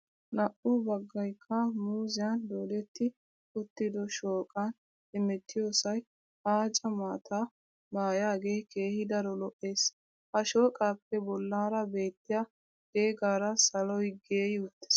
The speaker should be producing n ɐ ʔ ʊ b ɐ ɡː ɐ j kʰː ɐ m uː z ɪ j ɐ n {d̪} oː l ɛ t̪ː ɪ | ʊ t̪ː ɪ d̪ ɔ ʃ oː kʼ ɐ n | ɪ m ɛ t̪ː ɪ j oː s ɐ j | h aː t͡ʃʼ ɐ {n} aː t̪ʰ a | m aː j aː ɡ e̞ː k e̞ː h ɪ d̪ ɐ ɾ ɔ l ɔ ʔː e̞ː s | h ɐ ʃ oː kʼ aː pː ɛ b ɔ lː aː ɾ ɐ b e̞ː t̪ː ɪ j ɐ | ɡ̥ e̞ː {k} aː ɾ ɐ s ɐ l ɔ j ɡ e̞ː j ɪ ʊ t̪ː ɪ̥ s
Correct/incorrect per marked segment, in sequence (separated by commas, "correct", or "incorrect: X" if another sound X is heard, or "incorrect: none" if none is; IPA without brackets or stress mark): correct, incorrect: m, incorrect: ɡ